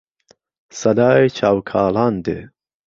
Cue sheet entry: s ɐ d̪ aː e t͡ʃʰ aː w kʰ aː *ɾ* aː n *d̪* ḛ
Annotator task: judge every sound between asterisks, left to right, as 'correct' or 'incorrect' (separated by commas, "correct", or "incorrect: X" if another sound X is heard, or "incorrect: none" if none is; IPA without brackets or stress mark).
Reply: incorrect: l, correct